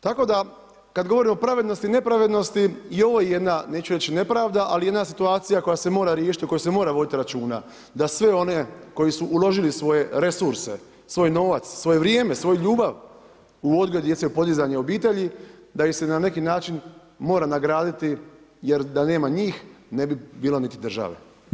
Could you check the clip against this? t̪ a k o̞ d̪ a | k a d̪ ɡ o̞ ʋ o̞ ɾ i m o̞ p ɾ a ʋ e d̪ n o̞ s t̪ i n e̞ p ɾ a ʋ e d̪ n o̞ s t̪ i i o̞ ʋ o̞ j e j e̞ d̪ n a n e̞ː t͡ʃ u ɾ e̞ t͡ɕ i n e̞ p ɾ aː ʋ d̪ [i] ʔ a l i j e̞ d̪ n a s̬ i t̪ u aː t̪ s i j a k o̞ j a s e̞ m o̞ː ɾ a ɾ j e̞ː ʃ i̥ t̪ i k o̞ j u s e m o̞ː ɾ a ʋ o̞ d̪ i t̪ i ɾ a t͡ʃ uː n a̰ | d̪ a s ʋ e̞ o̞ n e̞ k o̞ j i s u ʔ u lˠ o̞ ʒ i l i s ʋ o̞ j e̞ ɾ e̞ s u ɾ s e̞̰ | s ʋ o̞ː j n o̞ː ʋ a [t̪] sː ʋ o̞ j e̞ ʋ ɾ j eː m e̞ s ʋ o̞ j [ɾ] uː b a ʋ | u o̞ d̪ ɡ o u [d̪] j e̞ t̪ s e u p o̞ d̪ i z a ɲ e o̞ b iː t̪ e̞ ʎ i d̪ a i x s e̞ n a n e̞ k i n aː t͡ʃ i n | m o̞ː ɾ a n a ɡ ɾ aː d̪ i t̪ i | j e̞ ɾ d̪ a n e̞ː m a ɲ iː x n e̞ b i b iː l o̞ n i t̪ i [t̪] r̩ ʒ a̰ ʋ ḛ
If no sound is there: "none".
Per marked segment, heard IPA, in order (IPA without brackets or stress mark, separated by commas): a, t̪, ʎ, d̪, d̪